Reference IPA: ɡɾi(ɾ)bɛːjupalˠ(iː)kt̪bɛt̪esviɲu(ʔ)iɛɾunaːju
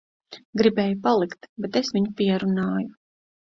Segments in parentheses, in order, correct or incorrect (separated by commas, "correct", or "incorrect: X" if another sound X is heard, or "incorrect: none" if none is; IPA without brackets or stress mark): incorrect: none, incorrect: i, incorrect: p